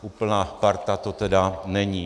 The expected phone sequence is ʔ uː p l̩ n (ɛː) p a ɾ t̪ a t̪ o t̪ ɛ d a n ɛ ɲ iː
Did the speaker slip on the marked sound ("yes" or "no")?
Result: yes